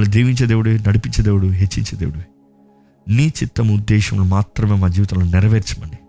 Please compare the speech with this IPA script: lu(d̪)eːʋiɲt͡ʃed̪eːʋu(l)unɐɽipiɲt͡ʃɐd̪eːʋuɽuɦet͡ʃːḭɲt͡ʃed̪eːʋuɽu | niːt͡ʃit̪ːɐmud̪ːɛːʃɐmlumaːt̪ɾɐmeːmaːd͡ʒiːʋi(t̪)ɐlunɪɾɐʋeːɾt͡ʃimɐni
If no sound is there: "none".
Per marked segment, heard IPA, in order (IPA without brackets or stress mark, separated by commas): d̪, ɽ, t̪